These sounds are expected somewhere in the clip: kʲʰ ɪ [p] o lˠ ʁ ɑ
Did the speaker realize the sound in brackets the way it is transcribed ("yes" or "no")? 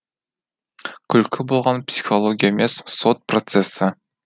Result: no